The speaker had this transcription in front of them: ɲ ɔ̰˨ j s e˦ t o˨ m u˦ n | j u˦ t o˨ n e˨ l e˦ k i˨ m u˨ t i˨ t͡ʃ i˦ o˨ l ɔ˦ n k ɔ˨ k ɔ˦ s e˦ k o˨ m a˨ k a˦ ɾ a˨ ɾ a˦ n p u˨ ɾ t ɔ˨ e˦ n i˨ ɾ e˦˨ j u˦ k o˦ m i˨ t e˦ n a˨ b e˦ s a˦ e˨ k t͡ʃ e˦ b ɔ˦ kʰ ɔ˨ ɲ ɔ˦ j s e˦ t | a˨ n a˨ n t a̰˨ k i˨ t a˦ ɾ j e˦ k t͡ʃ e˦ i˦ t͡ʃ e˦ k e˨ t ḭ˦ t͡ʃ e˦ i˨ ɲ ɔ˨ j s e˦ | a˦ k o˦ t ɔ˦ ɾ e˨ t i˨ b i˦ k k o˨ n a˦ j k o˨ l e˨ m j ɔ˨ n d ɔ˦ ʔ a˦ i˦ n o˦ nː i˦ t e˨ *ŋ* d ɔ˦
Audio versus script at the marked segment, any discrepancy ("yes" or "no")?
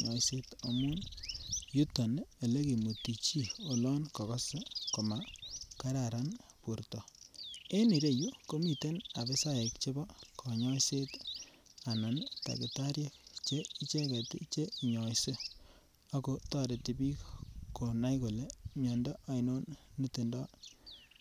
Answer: yes